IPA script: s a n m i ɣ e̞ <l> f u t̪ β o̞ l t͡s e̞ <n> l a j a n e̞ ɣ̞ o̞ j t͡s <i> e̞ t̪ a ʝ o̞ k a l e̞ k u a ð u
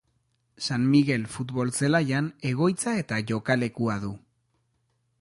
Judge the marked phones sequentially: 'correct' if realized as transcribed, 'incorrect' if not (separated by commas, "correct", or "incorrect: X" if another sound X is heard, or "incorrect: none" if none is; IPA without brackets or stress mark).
correct, incorrect: none, incorrect: a